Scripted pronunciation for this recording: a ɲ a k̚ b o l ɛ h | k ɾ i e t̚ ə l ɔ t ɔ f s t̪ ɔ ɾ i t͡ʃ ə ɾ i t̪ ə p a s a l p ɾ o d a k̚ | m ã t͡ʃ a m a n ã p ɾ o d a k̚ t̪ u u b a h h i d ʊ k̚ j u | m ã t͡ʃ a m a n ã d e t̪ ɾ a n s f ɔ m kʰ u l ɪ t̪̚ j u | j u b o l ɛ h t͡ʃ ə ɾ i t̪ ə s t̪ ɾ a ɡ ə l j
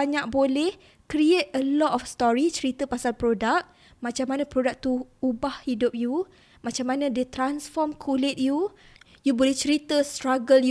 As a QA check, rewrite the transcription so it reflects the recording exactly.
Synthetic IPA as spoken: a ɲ a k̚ b o l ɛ h | k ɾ i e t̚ ə l ɔ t ɔ f s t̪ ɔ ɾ i t͡ʃ ə ɾ i t̪ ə p a s a l p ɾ o d a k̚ | m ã t͡ʃ a m a n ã p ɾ o d a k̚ t̪ u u b a h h i d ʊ p̚ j u | m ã t͡ʃ a m a n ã d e t̪ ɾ a n s f ɔ m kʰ u l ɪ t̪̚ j u | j u b o l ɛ h t͡ʃ ə ɾ i t̪ ə s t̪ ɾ a ɡ ə l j